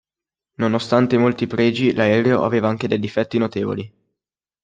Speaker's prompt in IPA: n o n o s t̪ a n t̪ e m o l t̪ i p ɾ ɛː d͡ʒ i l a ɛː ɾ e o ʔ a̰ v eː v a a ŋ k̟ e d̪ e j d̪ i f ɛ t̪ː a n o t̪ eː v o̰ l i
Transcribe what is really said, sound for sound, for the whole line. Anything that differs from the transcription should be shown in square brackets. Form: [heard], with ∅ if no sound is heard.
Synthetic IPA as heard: n o n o s t̪ a n t̪ e m o l t̪ i p ɾ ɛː d͡ʒ i l a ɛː ɾ e o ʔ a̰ v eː v a a ŋ k̟ e d̪ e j d̪ i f ɛ t̪ː [i] n o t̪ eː v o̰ l i